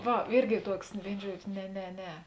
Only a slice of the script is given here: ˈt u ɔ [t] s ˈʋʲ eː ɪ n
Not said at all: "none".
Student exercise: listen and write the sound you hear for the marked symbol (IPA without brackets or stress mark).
k